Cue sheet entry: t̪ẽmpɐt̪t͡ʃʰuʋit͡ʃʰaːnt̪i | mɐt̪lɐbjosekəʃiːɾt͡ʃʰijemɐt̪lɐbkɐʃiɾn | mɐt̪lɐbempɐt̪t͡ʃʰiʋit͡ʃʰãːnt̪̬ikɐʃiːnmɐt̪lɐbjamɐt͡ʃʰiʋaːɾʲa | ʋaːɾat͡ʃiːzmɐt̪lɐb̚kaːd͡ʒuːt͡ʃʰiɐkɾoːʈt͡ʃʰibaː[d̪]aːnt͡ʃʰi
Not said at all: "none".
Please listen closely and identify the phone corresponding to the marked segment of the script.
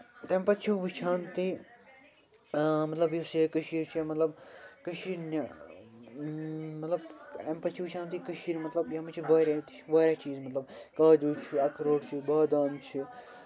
d̪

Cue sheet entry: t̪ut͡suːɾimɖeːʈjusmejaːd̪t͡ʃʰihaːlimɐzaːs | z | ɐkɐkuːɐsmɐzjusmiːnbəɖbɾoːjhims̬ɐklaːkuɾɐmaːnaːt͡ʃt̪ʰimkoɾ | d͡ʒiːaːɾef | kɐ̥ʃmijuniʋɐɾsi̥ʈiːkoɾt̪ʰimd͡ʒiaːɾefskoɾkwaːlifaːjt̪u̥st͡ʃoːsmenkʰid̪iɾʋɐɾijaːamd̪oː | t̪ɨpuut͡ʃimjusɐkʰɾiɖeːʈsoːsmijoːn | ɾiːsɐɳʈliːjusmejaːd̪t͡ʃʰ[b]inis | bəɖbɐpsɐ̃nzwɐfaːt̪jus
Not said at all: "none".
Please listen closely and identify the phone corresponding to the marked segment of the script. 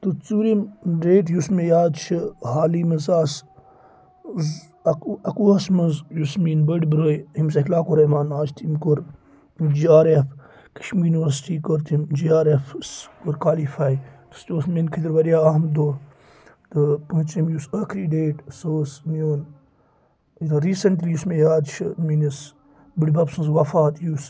m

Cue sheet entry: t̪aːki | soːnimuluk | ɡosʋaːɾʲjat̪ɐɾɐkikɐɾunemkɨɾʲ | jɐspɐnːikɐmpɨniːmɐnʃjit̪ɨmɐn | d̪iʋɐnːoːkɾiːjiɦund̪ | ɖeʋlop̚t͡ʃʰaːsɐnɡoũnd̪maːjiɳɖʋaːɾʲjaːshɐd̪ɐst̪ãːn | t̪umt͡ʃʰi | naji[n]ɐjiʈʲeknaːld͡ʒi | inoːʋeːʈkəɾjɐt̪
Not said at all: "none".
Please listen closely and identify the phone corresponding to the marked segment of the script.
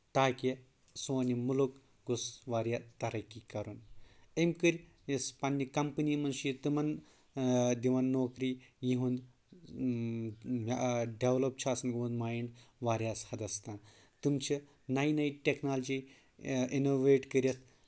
n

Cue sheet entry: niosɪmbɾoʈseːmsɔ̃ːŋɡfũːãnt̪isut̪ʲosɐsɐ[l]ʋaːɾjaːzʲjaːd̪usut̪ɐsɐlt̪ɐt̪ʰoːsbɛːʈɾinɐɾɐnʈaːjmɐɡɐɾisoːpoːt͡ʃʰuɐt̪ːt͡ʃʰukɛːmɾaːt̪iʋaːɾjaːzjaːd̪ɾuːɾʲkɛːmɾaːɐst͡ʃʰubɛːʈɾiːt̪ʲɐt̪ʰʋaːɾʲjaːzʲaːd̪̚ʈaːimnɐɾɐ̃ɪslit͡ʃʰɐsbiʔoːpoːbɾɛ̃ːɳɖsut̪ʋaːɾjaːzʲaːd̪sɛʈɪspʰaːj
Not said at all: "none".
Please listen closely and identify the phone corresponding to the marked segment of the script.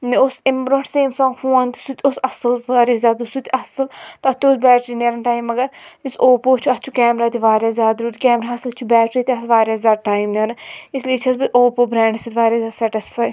l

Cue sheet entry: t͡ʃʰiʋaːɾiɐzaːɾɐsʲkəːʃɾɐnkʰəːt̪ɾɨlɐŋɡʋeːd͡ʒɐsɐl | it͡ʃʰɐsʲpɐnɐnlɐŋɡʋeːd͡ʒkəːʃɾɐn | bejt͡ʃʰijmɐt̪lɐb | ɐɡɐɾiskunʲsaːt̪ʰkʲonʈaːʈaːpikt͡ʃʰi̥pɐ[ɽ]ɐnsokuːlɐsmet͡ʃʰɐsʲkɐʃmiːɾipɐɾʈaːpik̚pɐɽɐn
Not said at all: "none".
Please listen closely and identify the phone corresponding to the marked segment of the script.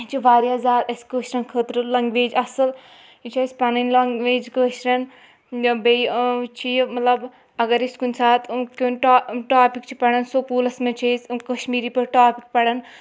ɽ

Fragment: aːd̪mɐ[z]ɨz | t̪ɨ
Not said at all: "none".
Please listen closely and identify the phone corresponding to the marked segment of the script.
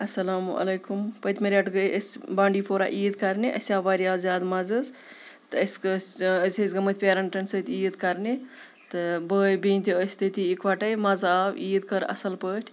z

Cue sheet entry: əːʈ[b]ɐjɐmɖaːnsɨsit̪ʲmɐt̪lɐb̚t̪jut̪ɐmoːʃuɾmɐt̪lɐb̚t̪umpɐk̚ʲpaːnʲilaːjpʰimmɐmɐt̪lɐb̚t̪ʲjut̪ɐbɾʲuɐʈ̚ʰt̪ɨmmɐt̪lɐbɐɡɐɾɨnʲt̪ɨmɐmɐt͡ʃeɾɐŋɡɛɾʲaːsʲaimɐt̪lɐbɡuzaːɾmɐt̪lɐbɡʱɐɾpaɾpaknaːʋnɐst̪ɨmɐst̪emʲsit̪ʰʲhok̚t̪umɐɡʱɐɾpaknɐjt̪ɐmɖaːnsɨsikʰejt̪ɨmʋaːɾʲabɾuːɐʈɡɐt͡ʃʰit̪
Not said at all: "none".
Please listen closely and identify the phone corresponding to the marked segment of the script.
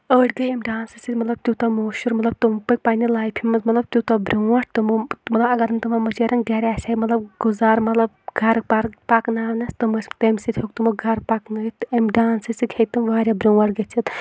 ɡ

